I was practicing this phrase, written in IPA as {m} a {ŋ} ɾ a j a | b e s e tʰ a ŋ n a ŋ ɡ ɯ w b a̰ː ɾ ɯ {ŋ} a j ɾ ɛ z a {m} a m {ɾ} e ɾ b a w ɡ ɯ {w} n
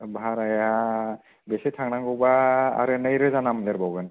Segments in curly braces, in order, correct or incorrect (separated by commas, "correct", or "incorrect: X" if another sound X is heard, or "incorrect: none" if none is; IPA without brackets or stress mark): incorrect: b, incorrect: none, incorrect: n, incorrect: n, incorrect: l, incorrect: none